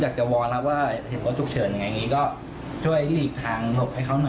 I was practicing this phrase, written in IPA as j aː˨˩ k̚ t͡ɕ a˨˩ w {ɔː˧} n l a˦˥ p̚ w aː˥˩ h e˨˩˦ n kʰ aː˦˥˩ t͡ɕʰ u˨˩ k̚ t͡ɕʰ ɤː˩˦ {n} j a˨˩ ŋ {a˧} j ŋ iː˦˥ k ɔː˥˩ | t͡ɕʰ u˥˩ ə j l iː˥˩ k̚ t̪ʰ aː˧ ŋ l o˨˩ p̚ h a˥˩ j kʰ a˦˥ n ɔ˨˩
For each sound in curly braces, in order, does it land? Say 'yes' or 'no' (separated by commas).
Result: yes, yes, yes